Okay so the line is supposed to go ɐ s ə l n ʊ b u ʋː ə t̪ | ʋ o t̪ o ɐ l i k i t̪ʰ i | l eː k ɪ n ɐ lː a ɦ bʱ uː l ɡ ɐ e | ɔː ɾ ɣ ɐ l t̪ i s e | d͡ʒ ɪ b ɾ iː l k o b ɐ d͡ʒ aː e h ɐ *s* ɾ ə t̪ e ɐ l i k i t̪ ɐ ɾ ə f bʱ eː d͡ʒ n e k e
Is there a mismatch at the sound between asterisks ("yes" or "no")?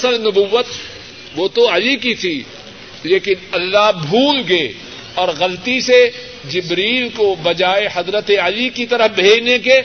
yes